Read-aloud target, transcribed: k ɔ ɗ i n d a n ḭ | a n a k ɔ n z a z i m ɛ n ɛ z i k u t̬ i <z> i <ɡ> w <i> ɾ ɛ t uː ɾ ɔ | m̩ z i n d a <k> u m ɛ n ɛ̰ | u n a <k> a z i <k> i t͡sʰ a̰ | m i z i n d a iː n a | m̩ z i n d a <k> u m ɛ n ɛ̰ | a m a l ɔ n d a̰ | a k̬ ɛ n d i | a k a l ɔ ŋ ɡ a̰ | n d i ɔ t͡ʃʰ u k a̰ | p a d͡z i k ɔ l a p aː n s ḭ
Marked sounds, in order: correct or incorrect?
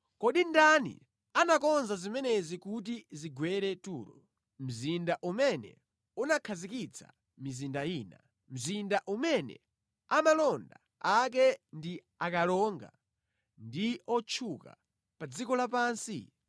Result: correct, correct, incorrect, incorrect, incorrect, correct, incorrect

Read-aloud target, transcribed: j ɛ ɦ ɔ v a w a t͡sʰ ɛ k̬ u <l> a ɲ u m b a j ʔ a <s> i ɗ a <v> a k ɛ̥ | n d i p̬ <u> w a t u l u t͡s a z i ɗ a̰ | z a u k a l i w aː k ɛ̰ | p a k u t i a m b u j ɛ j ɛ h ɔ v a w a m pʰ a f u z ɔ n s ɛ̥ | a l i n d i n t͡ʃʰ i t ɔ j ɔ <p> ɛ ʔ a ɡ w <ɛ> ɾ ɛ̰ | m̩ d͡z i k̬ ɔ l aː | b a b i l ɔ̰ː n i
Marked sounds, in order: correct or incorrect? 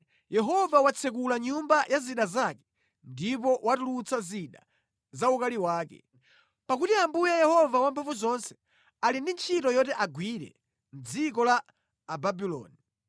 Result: correct, incorrect, incorrect, incorrect, incorrect, incorrect

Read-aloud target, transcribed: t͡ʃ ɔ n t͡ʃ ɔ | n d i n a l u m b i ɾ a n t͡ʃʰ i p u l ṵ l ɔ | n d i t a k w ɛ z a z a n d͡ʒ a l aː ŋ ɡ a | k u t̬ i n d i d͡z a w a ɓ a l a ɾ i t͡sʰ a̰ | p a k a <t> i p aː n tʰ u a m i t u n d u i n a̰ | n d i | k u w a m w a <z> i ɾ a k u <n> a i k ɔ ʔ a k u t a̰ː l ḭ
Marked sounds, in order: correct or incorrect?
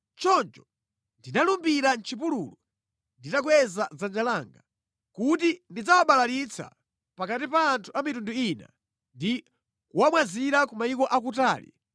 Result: correct, correct, incorrect

